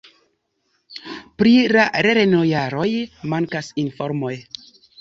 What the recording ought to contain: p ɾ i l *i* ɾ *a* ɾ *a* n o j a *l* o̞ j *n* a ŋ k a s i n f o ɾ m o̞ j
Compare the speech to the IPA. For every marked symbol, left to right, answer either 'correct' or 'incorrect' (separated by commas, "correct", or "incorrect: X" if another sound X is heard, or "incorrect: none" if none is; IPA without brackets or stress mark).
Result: incorrect: a, incorrect: e, incorrect: e, incorrect: ɾ, incorrect: m